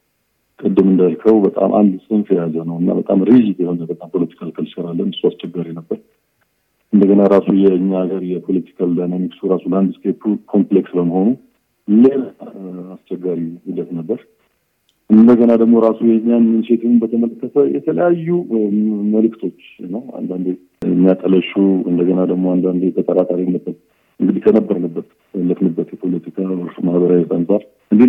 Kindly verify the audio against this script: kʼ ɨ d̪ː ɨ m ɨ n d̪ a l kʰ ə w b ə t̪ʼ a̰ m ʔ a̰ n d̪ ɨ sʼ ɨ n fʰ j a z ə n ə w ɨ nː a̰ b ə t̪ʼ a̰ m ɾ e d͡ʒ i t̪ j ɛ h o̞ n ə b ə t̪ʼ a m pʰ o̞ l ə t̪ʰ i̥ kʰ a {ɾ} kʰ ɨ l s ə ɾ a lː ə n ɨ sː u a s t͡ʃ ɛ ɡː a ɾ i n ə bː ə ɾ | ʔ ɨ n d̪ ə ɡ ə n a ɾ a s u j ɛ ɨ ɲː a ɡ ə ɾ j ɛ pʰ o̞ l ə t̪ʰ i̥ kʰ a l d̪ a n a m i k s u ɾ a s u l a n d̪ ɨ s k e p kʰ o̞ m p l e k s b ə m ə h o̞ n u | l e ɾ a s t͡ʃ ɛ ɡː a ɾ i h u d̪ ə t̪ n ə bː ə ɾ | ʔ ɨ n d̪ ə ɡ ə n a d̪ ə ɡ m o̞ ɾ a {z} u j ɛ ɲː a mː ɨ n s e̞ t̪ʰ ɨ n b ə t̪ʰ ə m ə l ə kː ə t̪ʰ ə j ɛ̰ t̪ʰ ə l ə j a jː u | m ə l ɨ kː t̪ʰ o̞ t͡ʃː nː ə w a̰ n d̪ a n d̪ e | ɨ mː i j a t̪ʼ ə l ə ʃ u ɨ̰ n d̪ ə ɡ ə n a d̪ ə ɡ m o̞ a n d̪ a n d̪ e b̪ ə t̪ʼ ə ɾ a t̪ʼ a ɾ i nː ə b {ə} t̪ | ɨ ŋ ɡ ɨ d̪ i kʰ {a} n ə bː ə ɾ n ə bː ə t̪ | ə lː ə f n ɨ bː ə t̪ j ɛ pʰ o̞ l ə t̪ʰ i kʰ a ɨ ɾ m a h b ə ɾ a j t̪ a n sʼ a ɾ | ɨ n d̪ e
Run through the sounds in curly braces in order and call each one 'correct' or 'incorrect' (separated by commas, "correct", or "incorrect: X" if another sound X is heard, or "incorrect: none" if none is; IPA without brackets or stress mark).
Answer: incorrect: l, incorrect: s, correct, incorrect: ə